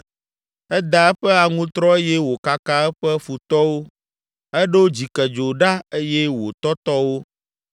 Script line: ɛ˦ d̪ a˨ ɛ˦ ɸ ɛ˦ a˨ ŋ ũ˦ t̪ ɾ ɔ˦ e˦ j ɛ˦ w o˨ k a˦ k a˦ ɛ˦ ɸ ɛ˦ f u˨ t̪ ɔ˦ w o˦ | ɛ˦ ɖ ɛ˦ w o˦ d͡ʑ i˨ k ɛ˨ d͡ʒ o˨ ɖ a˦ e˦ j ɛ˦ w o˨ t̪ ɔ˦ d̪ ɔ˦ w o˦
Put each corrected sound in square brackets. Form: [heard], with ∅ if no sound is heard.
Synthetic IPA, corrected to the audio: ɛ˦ d̪ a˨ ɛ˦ ɸ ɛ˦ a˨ ŋ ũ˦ t̪ ɾ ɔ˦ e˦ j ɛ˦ w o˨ k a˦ k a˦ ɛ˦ ɸ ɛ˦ f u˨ t̪ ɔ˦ w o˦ | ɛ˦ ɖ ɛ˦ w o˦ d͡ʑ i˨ k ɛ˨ d͡ʒ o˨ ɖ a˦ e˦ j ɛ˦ w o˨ t̪ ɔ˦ [t̪] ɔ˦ w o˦